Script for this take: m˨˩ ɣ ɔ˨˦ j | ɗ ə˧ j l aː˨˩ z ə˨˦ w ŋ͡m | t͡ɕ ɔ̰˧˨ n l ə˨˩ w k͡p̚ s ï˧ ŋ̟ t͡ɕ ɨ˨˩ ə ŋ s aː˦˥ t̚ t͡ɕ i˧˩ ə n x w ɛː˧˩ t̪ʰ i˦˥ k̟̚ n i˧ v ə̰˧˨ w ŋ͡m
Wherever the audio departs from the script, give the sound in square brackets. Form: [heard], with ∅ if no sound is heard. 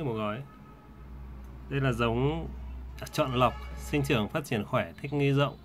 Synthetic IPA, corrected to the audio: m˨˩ ɣ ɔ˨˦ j | ɗ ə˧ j l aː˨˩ z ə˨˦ w ŋ͡m | t͡ɕ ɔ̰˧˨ n l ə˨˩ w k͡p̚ s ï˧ ŋ̟ t͡ɕ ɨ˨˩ ə ŋ [f] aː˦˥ t̚ t͡ɕ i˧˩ ə n x w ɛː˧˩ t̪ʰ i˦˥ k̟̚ [ŋ] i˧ [z] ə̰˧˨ w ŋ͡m